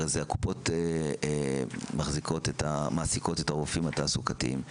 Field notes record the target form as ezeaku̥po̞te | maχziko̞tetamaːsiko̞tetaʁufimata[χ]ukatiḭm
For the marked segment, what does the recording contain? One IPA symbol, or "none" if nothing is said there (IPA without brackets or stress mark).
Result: s